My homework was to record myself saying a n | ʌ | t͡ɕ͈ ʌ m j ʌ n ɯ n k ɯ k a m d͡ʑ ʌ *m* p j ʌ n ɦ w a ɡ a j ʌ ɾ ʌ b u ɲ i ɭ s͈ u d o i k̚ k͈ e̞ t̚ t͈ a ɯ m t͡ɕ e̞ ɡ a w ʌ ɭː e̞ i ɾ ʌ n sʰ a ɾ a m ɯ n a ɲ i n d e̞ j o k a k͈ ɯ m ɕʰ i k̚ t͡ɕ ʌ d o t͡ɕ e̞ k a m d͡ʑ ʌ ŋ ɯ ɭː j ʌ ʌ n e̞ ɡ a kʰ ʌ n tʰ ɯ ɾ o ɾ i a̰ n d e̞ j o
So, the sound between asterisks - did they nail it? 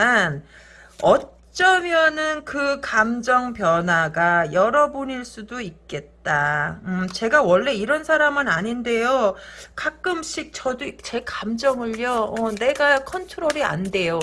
no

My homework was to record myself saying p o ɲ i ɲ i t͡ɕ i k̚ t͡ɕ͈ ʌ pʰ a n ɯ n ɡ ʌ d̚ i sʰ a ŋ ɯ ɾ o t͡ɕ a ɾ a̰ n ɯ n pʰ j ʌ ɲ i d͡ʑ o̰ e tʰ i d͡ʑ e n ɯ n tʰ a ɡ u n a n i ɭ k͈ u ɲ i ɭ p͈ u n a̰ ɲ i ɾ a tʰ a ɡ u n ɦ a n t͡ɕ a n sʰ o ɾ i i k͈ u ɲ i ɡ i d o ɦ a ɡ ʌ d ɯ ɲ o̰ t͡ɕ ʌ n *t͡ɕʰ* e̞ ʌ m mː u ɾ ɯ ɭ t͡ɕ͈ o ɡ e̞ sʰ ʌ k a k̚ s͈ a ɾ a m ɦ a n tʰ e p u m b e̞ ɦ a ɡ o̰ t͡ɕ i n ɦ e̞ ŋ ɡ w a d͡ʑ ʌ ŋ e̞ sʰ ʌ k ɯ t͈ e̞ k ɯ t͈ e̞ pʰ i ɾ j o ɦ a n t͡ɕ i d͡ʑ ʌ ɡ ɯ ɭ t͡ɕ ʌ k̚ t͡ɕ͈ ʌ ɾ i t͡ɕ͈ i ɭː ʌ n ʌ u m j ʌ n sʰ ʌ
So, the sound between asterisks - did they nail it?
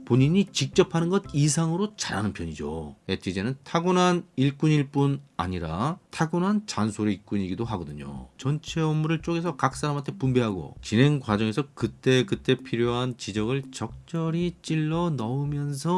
yes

